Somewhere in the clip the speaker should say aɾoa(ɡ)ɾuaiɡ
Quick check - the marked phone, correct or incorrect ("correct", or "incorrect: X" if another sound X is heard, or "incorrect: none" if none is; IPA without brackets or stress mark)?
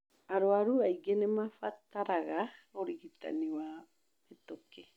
incorrect: none